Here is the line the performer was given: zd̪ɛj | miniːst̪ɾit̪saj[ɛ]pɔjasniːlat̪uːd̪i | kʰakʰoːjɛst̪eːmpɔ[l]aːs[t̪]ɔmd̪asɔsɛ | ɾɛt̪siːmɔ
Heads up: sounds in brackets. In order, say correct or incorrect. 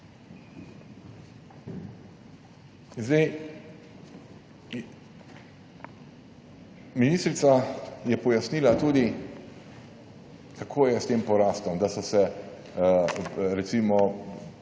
correct, incorrect: ɾ, correct

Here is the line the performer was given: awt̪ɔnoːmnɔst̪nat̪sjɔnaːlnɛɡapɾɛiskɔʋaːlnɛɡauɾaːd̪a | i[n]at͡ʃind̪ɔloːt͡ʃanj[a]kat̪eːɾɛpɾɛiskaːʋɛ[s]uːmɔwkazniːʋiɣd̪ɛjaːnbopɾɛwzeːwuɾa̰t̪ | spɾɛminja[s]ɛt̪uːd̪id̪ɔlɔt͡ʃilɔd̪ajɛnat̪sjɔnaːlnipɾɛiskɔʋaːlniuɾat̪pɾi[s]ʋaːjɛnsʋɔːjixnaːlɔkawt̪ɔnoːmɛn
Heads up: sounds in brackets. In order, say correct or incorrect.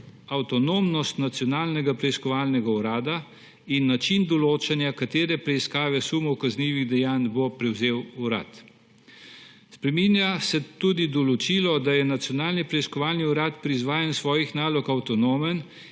incorrect: nː, correct, correct, correct, incorrect: z

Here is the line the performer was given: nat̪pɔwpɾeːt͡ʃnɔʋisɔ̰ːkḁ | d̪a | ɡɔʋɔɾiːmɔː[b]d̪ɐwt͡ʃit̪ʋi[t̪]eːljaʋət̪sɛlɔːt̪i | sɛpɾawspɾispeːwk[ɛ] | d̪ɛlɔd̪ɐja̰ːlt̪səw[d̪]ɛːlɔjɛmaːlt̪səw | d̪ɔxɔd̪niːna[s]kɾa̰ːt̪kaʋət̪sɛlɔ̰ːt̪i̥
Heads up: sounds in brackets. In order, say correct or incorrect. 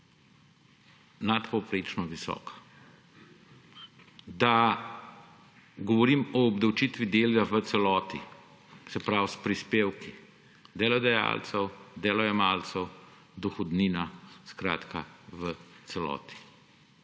correct, incorrect: d̪, incorrect: i, correct, correct

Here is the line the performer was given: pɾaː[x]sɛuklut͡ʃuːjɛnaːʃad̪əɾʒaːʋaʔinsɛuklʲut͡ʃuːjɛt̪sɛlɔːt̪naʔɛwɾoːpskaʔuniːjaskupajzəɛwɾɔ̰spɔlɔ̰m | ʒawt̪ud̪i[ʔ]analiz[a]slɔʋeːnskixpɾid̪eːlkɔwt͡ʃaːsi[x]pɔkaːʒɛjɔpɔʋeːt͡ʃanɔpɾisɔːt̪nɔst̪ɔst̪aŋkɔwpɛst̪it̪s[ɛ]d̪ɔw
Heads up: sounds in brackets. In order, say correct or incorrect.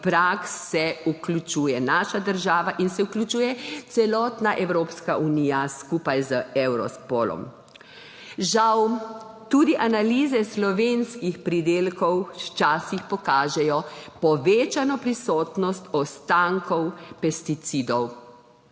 incorrect: k, correct, incorrect: ɛ, correct, incorrect: i

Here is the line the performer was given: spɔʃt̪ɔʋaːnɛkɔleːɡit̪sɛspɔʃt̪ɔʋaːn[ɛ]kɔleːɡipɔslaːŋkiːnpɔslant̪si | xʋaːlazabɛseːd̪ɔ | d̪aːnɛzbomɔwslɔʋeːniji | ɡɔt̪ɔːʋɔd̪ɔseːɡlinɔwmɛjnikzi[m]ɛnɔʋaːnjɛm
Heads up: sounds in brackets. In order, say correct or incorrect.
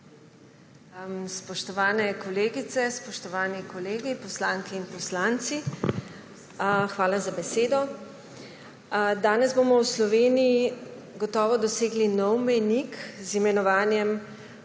incorrect: i, correct

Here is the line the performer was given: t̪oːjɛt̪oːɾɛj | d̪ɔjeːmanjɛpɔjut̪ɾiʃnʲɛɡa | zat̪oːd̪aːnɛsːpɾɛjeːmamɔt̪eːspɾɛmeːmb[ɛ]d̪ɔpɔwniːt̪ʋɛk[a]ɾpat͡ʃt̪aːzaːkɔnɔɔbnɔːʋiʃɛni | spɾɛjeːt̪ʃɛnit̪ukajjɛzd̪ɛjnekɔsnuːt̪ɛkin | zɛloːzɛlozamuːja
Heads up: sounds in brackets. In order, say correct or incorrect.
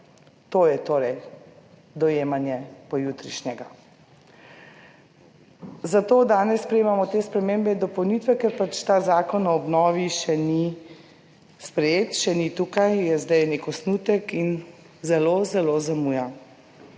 correct, incorrect: ɛ

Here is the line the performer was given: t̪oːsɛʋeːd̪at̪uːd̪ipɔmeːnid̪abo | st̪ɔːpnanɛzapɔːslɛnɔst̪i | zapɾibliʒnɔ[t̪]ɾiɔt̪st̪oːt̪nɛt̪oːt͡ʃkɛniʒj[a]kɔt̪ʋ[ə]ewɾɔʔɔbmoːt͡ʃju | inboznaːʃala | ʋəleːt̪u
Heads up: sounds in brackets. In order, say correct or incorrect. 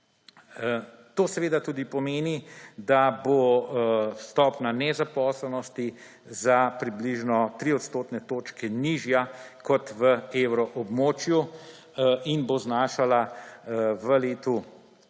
correct, correct, correct

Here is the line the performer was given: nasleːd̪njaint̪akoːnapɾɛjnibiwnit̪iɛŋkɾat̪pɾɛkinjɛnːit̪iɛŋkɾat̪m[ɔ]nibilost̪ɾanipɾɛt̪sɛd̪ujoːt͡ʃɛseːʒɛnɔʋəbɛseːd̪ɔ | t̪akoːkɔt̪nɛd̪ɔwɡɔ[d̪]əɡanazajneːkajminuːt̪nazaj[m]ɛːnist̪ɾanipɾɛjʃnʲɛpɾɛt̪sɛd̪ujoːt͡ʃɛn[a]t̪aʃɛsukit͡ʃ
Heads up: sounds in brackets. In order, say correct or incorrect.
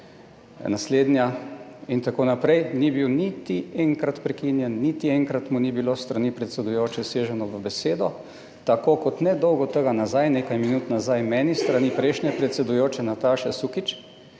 incorrect: u, incorrect: t̪, correct, correct

